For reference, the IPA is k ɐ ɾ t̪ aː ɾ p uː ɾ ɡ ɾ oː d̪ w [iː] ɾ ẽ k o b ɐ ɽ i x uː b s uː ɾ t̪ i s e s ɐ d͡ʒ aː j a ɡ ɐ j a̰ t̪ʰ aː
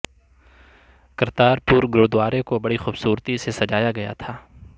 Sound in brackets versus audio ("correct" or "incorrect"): incorrect